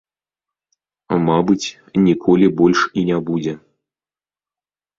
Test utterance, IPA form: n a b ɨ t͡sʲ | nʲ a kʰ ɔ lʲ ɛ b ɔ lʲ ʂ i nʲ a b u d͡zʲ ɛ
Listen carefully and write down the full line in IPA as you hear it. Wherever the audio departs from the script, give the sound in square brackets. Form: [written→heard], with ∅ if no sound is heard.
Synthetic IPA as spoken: [n→m] a b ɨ t͡sʲ | nʲ [a→i] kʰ ɔ lʲ [ɛ→i] b ɔ lʲ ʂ i nʲ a b u d͡zʲ ɛ